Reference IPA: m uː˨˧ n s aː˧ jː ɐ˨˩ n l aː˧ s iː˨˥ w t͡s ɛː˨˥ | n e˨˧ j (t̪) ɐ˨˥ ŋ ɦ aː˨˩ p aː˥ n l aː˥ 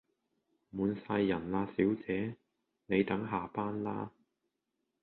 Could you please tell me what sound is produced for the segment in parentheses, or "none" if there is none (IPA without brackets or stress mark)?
t̪